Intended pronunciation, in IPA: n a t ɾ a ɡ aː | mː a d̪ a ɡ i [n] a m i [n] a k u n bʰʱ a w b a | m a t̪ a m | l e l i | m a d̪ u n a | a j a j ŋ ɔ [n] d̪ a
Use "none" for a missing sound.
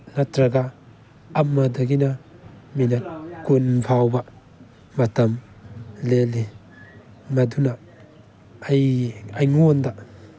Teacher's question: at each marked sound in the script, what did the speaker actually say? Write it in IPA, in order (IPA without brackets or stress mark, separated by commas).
n, n, n